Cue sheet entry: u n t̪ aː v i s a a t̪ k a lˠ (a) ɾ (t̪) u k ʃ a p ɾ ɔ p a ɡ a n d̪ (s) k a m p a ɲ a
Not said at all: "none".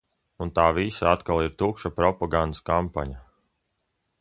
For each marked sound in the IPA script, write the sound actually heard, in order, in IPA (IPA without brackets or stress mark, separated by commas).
i, t̪, s